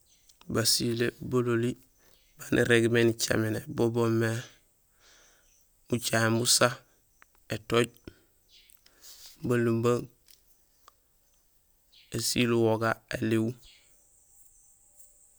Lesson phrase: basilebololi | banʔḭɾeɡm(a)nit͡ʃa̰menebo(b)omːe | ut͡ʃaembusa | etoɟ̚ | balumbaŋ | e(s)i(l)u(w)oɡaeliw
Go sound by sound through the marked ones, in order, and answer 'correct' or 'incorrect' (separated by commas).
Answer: incorrect, correct, correct, correct, correct